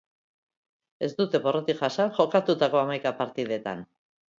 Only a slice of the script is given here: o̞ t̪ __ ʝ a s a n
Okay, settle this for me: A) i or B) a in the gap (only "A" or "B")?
A